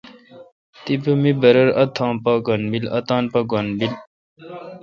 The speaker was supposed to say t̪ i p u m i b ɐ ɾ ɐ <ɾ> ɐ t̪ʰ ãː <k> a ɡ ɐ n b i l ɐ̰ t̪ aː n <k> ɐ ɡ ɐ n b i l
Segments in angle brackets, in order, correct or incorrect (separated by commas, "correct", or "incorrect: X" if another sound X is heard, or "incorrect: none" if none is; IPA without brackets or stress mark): correct, incorrect: p, incorrect: p